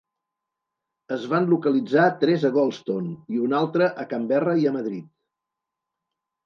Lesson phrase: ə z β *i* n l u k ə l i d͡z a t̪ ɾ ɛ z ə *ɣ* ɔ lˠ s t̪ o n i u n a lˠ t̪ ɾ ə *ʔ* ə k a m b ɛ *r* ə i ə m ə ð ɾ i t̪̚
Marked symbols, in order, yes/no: no, yes, yes, yes

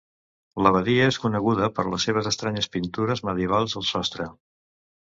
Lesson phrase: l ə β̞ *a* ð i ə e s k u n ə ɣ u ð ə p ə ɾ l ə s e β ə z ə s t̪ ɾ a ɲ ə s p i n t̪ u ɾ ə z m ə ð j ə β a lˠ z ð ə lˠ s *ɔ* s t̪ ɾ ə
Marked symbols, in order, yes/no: no, yes

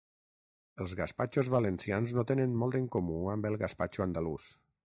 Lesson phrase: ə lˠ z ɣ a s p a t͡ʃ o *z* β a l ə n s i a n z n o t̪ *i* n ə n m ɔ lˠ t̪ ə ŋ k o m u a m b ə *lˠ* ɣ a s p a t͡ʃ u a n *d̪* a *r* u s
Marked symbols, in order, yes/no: yes, no, yes, yes, no

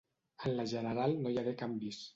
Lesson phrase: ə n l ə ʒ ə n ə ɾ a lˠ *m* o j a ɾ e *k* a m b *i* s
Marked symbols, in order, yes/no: no, yes, yes

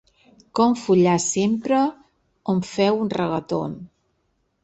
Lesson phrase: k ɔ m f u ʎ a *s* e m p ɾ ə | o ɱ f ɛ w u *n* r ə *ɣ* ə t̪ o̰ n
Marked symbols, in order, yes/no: yes, yes, yes

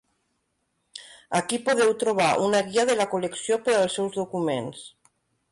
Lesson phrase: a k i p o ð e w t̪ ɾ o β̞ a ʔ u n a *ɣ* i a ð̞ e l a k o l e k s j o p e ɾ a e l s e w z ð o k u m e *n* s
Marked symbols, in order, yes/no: yes, yes

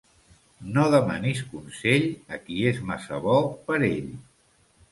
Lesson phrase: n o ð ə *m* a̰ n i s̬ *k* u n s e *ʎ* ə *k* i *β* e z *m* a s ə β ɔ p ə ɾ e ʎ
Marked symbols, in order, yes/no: yes, yes, yes, yes, no, yes

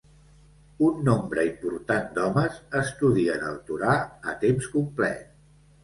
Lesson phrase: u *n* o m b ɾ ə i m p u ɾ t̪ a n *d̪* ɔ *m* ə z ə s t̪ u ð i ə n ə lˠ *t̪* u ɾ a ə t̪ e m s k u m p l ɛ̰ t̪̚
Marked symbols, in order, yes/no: no, yes, yes, yes

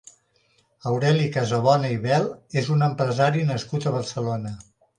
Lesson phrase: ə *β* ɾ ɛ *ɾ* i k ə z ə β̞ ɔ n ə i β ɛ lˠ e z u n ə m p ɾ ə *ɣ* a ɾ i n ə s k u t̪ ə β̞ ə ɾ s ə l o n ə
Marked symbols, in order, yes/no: no, no, no

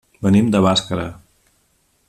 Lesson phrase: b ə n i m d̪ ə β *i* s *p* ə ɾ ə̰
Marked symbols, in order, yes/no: no, no

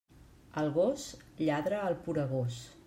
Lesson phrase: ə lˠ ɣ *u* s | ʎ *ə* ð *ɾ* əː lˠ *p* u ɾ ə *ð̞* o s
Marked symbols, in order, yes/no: no, no, yes, yes, no

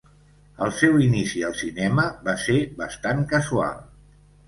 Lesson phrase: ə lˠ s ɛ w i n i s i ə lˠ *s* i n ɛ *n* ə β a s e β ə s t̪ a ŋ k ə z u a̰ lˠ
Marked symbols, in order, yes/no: yes, no

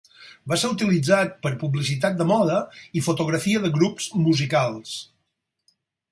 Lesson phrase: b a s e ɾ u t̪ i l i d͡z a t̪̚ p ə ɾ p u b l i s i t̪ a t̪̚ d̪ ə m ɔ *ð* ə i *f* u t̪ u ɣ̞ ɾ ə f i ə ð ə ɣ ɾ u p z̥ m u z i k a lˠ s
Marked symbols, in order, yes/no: yes, yes

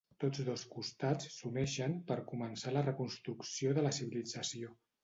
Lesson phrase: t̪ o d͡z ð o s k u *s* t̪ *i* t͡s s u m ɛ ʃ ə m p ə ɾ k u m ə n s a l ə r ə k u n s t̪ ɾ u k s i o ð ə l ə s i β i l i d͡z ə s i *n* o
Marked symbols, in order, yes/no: yes, no, no

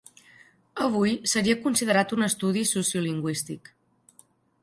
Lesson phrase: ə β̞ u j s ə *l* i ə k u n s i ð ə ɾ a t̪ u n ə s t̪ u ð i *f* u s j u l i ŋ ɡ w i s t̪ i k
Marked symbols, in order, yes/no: no, no

